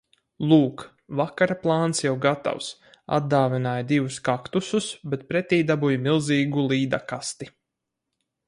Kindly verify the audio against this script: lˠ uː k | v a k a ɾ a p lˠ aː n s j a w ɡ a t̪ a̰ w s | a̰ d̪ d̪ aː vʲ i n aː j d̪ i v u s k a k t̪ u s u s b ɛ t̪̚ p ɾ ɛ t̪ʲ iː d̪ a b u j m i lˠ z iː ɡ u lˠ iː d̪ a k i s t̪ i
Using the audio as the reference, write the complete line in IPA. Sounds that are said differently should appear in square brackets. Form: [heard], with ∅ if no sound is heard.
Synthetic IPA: lˠ uː k | v a k a ɾ a p lˠ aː n s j a w ɡ a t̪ a̰ w s | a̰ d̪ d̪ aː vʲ i n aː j d̪ i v u s k a k t̪ u s u s b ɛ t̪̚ p ɾ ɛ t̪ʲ iː d̪ a b u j m i lˠ z iː ɡ u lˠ iː d̪ a k [a] s t̪ i